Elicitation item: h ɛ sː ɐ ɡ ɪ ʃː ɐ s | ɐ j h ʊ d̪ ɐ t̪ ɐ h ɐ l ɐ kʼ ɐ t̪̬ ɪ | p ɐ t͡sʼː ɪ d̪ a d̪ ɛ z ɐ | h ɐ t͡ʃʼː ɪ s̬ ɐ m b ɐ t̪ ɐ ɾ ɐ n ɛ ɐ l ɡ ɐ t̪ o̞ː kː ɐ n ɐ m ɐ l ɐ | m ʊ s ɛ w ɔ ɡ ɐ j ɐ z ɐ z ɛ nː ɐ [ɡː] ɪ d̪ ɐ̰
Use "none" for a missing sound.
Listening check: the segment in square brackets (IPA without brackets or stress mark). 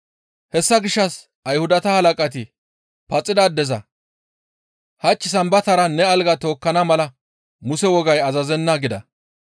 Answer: ɡ